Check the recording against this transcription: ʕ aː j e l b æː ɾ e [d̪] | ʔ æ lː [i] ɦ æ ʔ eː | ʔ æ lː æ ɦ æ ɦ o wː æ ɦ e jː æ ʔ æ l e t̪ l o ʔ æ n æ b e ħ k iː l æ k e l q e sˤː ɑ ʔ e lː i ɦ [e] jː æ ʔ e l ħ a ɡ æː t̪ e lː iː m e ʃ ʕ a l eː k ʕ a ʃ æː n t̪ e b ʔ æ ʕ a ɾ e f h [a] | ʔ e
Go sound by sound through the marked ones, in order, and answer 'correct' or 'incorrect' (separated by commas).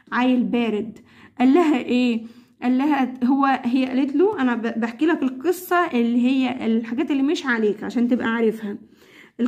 correct, incorrect, correct, incorrect